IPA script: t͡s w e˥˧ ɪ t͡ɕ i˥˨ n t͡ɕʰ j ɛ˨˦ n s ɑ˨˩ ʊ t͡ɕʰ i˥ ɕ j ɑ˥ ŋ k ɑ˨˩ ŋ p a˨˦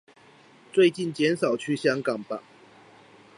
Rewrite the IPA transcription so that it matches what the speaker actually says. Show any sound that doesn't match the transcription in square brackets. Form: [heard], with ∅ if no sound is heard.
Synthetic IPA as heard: t͡s w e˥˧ ɪ t͡ɕ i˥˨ n [t͡ɕ] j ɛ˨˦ n s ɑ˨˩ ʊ t͡ɕʰ [y˥] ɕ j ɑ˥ ŋ k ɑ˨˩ ŋ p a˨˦